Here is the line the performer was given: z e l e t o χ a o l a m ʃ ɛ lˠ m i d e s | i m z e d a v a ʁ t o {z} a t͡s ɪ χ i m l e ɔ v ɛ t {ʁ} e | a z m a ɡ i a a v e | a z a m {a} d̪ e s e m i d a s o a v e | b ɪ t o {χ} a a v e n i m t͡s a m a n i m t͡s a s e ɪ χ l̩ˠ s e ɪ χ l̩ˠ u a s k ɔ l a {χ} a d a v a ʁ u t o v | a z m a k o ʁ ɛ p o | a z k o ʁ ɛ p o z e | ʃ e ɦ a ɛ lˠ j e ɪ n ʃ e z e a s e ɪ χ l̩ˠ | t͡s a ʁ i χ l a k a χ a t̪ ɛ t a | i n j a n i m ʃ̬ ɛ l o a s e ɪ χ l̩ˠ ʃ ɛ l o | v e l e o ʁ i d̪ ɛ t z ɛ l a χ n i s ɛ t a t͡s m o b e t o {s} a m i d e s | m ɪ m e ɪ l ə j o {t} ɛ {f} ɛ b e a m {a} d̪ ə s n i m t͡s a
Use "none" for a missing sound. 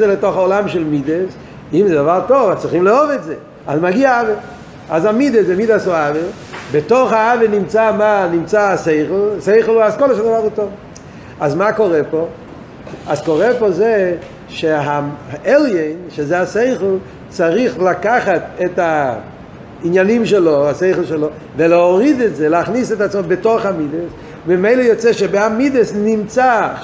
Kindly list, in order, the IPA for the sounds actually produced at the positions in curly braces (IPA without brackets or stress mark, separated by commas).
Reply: v, z, i, χ, ʃ, χ, t͡s, ʃ, i